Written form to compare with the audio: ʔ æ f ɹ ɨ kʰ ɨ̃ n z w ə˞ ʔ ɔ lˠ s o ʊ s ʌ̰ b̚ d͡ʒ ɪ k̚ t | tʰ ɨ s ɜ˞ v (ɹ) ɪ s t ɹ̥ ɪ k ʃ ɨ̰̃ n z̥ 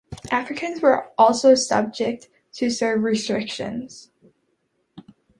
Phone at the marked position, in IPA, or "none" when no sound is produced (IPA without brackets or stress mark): ɹ